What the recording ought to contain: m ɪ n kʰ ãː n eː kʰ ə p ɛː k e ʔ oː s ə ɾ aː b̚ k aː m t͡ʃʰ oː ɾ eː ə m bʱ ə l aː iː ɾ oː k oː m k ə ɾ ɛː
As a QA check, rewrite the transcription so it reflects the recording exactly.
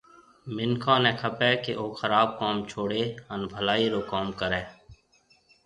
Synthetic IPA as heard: m ɪ n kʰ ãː n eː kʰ ə p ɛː k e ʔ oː x ə ɾ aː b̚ k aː m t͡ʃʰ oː ɽ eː ə n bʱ ə l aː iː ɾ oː k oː m k ə ɾ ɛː